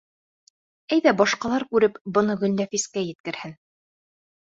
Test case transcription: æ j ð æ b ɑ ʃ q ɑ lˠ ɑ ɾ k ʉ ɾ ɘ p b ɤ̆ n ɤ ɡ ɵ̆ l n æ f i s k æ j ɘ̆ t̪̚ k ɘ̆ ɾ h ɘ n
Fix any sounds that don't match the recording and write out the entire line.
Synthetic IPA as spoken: æ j ð æ b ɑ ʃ q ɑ lˠ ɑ ɾ k ʉ ɾ ɘ p b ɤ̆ n ɤ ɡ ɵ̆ l n æ f i s k æ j ɘ̆ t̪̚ k ɘ̆ ɾ h ɘ n